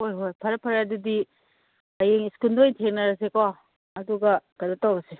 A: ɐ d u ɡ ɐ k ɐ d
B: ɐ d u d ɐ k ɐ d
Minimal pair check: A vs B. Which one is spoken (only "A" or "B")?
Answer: A